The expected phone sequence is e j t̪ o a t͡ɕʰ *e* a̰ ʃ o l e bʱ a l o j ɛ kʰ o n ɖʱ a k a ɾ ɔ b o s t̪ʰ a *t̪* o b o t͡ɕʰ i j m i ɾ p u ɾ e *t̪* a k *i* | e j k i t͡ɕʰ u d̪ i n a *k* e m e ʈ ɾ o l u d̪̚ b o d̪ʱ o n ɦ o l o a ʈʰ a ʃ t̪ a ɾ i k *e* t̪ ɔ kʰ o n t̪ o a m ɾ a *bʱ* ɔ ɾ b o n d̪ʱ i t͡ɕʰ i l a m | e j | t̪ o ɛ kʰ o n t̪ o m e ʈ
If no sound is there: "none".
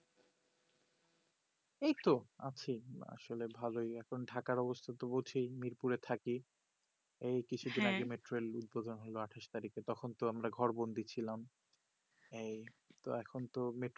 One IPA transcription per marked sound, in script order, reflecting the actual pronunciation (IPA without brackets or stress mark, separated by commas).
i, t̪, t̪ʰ, i, ɡ, e, ɡʱ